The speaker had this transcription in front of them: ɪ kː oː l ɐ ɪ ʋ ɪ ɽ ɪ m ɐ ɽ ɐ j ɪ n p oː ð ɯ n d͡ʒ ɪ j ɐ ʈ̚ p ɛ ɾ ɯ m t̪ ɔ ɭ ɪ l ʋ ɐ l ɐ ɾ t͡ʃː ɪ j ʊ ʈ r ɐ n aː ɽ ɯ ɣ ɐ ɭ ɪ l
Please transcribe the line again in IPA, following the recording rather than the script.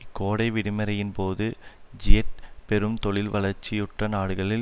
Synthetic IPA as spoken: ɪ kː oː ɽ ɐ ɪ ʋ ɪ ɽ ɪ m ɐ ɾ ɐ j ɪ n p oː ð ɯ d͡ʒ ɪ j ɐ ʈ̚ p ɛ ɾ ɯ m t̪ ɔ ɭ ɪ l ʋ ɐ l ɐ ɾ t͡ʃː ɪ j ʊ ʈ r ɐ n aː ɽ ɯ ɣ ɐ ɭ ɪ l

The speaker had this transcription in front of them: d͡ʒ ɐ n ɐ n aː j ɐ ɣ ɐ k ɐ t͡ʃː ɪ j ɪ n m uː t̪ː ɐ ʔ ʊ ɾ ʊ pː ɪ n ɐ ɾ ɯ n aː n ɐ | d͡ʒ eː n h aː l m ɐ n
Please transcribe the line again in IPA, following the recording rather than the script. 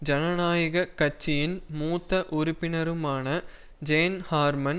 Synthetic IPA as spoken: d͡ʒ ɐ n ɐ n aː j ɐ ɣ ɐ k ɐ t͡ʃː ɪ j ɪ n m uː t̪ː ɐ ʔ ʊ ɾ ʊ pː ɪ n ɐ ɾ ɯ m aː n ɐ | d͡ʒ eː n h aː ɾ m ɐ n

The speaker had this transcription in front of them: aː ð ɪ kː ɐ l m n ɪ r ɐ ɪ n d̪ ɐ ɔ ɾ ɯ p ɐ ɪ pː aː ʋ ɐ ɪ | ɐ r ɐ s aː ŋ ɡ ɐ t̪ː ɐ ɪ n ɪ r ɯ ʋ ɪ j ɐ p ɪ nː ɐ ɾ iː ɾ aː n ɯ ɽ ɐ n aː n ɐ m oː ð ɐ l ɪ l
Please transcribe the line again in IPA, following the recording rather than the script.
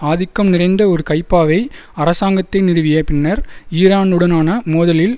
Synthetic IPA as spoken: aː ð ɪ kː ɐ m n ɪ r ɐ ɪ n d̪ ɐ ɔ ɾ ɯ k ɐ ɪ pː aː ʋ ɐ ɪ | ɐ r ɐ s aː ŋ ɡ ɐ t̪ː ɐ ɪ n ɪ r ɯ ʋ ɪ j ɐ p ɪ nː ɐ ɾ iː ɾ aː n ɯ ɽ ɐ n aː n ɐ m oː ð ɐ l ɪ l

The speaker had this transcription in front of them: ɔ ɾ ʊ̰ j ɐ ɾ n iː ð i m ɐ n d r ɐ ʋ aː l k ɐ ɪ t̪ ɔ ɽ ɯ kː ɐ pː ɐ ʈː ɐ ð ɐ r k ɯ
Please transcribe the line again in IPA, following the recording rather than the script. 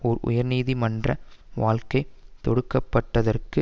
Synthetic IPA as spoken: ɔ ɾ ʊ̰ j ɐ ɾ n iː ð i m ɐ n d r ɐ ʋ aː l k ɐ ɪ t̪ ɔ ɽ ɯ kː ɐ pː ɐ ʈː ɐ ð ɐ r k ɯ

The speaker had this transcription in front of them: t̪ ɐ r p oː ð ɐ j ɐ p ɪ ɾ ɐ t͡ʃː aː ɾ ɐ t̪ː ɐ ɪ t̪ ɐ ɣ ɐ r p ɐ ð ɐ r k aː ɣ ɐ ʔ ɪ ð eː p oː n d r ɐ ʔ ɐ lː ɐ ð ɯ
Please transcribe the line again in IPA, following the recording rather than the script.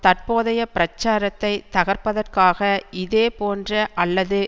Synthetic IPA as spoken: t̪ ɐ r p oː ð ɐ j ɐ p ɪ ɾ ɐ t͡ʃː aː ɾ ɐ t̪ː ɐ ɪ t̪ ɐ ɣ ɐ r p ɐ ð ɐ r k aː ɣ ɐ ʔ ɪ ð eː p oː n d r ɐ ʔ ɐ lː ɐ ð ɯ

